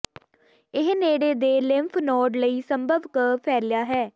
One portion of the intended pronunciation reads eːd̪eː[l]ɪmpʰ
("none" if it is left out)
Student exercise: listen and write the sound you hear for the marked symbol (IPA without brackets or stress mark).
l